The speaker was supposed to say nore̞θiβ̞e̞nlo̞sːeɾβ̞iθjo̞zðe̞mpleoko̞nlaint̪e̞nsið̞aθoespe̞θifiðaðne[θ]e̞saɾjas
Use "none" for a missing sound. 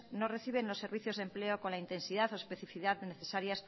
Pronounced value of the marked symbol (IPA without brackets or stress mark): θ